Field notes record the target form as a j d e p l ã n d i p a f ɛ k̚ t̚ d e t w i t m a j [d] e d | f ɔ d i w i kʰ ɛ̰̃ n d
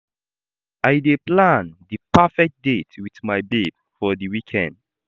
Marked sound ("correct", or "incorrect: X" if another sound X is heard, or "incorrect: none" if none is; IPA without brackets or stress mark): incorrect: b